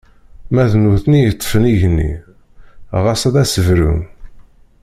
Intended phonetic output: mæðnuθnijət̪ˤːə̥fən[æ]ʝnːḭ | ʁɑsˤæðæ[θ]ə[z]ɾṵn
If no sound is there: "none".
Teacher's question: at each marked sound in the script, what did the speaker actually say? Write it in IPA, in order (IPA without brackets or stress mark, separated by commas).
i, s, v